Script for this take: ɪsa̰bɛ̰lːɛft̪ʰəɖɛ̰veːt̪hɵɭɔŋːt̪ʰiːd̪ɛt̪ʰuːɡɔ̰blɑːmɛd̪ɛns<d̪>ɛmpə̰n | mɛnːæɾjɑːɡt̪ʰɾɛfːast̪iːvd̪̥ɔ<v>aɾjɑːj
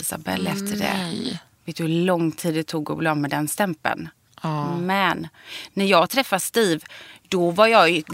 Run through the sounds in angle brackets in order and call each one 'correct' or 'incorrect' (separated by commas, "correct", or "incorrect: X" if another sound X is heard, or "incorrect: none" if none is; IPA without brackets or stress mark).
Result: incorrect: t̪, correct